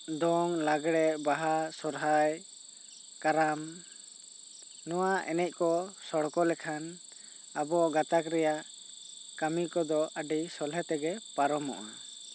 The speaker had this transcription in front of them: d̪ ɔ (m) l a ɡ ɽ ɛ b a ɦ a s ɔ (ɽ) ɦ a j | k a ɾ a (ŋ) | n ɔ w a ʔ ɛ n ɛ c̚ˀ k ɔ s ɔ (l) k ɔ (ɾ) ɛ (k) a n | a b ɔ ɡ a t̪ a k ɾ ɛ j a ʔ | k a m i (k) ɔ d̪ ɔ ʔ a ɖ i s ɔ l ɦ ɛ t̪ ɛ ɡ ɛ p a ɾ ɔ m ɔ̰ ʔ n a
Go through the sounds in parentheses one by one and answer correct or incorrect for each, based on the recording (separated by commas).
incorrect, incorrect, incorrect, incorrect, incorrect, incorrect, correct